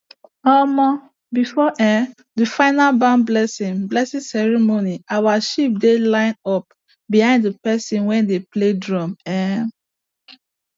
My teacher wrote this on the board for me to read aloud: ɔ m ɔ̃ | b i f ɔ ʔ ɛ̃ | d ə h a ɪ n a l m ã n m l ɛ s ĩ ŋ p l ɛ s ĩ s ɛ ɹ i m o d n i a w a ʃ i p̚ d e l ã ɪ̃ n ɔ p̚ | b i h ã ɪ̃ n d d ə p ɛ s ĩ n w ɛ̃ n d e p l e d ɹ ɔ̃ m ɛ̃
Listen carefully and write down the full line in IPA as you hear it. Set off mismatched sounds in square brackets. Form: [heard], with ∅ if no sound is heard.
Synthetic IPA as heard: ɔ m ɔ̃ | b i f ɔ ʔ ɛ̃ | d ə [f] a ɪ n a l [b] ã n [b] l ɛ s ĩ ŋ [b] l ɛ s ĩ s ɛ ɹ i m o [∅] n i a w a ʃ i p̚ d e l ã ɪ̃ n ɔ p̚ | b i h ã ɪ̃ n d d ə p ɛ s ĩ n w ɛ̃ n d e p l e d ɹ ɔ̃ m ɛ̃